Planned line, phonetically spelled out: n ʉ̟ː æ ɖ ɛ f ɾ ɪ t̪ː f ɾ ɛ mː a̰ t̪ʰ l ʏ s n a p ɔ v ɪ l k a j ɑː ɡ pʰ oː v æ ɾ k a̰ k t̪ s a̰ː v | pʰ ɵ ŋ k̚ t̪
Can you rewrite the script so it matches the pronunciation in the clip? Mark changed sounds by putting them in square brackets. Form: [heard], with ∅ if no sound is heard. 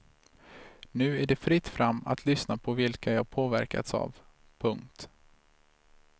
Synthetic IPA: n ʉ̟ː æ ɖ ɛ f ɾ ɪ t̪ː f ɾ [a] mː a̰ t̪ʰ l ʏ s n a [pʰ] ɔ v ɪ l k a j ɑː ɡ pʰ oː v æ ɾ k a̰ [∅] t̪ s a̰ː v | pʰ ɵ ŋ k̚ t̪